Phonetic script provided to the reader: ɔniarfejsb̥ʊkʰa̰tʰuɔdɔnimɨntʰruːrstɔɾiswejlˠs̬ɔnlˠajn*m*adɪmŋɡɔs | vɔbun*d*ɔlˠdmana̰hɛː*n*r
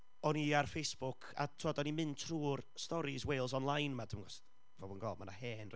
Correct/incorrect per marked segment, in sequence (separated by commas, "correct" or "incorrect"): correct, incorrect, correct